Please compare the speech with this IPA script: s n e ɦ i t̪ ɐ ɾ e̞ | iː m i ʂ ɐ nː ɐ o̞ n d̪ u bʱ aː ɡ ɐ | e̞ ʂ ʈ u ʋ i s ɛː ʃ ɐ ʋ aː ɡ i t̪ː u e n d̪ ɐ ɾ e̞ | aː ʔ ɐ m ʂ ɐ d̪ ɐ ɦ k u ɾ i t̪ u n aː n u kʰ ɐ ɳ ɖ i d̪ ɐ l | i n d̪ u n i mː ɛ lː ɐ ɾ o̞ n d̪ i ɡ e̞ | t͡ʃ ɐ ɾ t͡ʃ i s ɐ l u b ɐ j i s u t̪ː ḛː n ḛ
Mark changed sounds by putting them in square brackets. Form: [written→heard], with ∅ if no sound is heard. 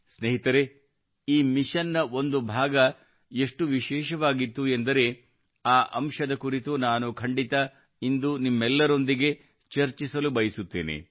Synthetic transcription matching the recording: s n e ɦ i t̪ ɐ ɾ e̞ | iː m i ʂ ɐ nː ɐ o̞ n d̪ u bʱ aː ɡ ɐ | e̞ ʂ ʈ u ʋ i [s→ʃ] ɛː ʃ ɐ ʋ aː ɡ i t̪ː u e n d̪ ɐ ɾ e̞ | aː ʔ ɐ m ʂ ɐ d̪ ɐ [ɦ→∅] k u ɾ i t̪ u n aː n u kʰ ɐ ɳ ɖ i [d̪→t̪] ɐ [l→∅] | i n d̪ u n i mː ɛ lː ɐ ɾ o̞ n d̪ i ɡ e̞ | t͡ʃ ɐ ɾ t͡ʃ i s ɐ l u b ɐ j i s u t̪ː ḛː n ḛ

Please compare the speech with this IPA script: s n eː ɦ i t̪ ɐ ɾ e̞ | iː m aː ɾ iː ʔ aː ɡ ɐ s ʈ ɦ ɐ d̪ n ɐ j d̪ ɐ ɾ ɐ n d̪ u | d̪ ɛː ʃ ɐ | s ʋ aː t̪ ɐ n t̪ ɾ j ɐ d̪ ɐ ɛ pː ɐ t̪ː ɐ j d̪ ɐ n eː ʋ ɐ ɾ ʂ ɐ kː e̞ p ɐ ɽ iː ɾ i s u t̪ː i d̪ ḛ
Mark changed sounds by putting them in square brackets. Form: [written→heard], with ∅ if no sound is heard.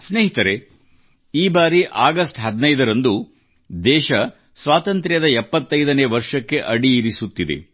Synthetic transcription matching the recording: s n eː ɦ i t̪ ɐ ɾ e̞ | iː [m→b] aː ɾ [iː→i] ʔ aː ɡ ɐ s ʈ ɦ ɐ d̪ n ɐ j d̪ ɐ ɾ ɐ n d̪ u | d̪ ɛː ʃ ɐ | s ʋ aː t̪ ɐ n t̪ ɾ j ɐ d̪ ɐ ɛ pː ɐ t̪ː ɐ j d̪ ɐ n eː ʋ ɐ ɾ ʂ ɐ kː e̞ [p→ʔ] ɐ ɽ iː ɾ i s u t̪ː i d̪ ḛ

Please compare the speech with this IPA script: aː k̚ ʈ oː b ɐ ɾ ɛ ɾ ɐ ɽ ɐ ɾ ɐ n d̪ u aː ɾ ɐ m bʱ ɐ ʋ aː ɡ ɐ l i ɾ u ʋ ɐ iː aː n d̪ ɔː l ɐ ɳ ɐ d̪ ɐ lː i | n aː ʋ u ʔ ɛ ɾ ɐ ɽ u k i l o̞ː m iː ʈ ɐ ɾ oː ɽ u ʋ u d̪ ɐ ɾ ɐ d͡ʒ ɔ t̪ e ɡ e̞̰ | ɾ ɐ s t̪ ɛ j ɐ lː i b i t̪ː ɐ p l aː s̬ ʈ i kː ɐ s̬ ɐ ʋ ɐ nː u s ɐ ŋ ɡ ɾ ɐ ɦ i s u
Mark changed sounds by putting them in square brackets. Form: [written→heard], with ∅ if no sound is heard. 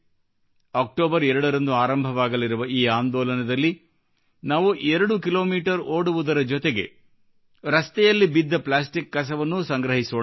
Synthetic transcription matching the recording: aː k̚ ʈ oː b ɐ ɾ ɛ ɾ ɐ ɽ ɐ ɾ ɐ n d̪ u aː ɾ ɐ m bʱ ɐ ʋ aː ɡ ɐ l i ɾ u ʋ ɐ iː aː n d̪ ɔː l ɐ [ɳ→n] ɐ d̪ ɐ lː i | n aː ʋ u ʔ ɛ ɾ ɐ ɽ u k i l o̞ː m iː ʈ ɐ ɾ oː ɽ u ʋ u d̪ ɐ ɾ ɐ d͡ʒ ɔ t̪ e ɡ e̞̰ | ɾ ɐ s t̪ ɛ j ɐ lː i b i [t̪ː→d̪ː] ɐ p l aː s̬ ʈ i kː ɐ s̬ ɐ ʋ ɐ nː u s ɐ ŋ ɡ ɾ ɐ ɦ i s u

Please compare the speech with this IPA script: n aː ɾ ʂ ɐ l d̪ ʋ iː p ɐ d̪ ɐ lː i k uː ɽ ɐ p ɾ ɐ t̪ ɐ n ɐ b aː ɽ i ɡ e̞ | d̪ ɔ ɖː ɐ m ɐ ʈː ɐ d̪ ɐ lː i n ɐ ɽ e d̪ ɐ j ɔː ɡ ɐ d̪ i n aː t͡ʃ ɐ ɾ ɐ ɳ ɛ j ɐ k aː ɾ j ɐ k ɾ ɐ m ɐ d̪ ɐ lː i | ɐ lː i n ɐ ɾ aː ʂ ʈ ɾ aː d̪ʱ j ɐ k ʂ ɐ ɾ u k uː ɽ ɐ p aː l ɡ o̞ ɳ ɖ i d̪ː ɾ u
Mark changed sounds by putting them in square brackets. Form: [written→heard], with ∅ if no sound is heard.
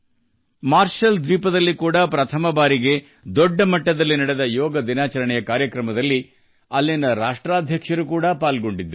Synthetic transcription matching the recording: [n→m] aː ɾ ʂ ɐ l d̪ ʋ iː p ɐ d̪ ɐ lː i k uː ɽ ɐ p ɾ ɐ [t̪→t̪ʰ] ɐ [n→m] ɐ b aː [ɽ→ɾ] i ɡ e̞ | d̪ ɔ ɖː ɐ m ɐ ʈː ɐ d̪ ɐ lː i n ɐ ɽ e d̪ ɐ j ɔː ɡ ɐ d̪ i n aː t͡ʃ ɐ ɾ ɐ ɳ ɛ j ɐ k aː ɾ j ɐ k ɾ ɐ m ɐ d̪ ɐ lː i | ɐ lː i n ɐ ɾ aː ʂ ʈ ɾ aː d̪ʱ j ɐ k ʂ ɐ ɾ u k uː ɽ ɐ p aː l ɡ o̞ ɳ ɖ i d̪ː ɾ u

